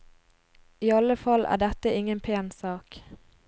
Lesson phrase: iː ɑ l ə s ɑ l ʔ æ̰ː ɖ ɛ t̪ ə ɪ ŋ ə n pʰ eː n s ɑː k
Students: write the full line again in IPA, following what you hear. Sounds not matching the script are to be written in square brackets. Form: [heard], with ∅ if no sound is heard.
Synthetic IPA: iː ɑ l ə [f] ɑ l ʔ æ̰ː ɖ ɛ t̪ ə ɪ ŋ ə n pʰ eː n s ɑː k